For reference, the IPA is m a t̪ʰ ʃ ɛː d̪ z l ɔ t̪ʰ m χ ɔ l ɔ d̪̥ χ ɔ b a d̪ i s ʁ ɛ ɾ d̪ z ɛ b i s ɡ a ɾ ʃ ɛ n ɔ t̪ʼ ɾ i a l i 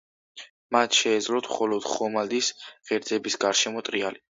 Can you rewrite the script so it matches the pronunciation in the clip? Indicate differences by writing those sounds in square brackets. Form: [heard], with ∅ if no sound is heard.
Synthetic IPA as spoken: m a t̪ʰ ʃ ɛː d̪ z l ɔ t̪ʰ m χ ɔ l ɔ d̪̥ χ ɔ [m] a d̪ i s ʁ ɛ ɾ d̪ z ɛ b i s ɡ a ɾ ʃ ɛ [m] ɔ t̪ʼ ɾ i a l i